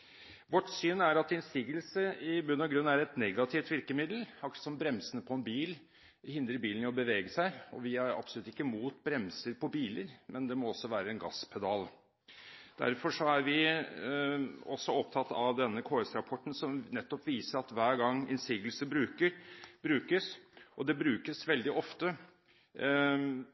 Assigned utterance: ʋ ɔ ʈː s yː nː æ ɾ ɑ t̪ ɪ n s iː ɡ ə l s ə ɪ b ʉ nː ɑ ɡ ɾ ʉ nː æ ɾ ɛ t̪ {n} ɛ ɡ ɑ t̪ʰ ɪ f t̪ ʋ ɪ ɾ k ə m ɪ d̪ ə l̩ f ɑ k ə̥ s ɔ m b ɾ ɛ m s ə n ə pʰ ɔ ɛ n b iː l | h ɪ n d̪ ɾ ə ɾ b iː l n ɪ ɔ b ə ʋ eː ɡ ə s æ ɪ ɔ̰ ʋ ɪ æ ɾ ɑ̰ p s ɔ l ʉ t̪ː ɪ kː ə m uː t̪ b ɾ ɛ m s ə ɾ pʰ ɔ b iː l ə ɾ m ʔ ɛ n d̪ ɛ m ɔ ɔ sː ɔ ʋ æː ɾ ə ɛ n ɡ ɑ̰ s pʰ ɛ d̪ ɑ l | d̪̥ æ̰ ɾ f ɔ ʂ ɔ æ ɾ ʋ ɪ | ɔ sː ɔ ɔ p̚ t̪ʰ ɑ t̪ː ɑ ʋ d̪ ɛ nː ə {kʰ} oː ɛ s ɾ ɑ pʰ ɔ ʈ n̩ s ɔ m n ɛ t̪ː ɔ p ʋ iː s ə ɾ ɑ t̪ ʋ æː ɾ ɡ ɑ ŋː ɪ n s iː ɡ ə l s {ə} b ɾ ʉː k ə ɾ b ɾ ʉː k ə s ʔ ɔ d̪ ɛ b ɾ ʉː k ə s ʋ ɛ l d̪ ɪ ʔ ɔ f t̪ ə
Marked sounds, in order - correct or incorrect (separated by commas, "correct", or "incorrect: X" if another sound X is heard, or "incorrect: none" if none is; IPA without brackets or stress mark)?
correct, correct, correct